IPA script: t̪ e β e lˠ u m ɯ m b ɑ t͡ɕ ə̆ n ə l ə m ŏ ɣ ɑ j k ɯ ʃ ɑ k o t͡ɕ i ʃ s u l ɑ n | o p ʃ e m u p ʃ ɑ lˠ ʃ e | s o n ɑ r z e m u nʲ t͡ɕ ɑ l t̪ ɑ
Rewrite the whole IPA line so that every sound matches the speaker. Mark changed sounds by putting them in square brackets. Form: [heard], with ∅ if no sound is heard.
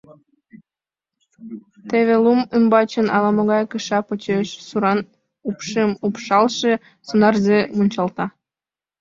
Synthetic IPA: t̪ e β e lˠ u m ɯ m b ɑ t͡ɕ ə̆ n [ɑ] l [ɑ] m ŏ ɣ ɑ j k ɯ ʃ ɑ [p] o t͡ɕ [e] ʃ s u [ɾ] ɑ n | [u] p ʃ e m u p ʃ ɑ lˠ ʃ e | s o n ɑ r z e m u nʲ t͡ɕ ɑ l t̪ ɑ